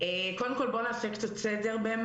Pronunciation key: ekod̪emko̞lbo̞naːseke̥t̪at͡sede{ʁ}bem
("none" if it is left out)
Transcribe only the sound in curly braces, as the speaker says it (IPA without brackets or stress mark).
ʁ